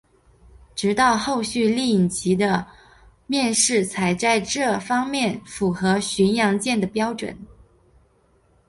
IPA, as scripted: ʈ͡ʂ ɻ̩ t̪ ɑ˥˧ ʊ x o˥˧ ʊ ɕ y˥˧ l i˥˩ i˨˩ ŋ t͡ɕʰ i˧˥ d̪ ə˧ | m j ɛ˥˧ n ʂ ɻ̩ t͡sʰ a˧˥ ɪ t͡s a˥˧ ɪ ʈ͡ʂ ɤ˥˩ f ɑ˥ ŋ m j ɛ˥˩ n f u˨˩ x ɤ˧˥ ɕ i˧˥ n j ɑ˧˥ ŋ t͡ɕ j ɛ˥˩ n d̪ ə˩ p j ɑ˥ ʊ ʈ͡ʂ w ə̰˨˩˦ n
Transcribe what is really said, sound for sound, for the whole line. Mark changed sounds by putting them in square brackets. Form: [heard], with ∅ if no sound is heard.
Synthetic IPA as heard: ʈ͡ʂ ɻ̩ t̪ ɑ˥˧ ʊ x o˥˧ ʊ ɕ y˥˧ l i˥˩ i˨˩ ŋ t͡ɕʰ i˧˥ d̪ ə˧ | m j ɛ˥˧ n ʂ ɻ̩ t͡sʰ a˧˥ ɪ t͡s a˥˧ ɪ ʈ͡ʂ ɤ˥˩ f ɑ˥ ŋ m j ɛ˥˩ n f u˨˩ x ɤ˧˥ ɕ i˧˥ n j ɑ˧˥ ŋ t͡ɕ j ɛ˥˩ n d̪ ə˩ p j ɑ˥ ʊ ʈ͡ʂ w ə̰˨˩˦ n